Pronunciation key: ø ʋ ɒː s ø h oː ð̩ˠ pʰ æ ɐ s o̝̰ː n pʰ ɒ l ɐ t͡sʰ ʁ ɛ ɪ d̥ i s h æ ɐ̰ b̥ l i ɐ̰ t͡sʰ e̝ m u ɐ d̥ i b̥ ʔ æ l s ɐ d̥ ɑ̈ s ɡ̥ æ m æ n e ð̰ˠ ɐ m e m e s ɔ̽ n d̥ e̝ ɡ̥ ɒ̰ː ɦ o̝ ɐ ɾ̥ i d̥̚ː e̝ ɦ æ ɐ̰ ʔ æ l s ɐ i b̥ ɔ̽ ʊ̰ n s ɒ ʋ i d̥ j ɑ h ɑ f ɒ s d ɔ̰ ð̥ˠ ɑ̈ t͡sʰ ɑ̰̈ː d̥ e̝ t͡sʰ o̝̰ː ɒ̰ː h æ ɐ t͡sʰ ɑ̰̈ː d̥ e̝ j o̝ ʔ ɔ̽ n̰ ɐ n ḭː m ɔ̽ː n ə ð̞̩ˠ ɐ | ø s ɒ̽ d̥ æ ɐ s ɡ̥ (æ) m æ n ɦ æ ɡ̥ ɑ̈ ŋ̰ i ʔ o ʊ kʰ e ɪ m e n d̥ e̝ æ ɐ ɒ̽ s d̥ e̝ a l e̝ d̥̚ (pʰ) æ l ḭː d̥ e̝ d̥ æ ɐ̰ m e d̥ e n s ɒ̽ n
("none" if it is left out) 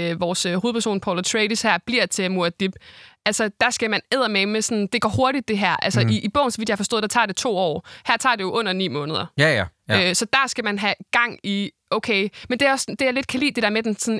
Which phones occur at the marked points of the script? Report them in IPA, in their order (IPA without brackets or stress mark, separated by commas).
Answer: æ, kʰ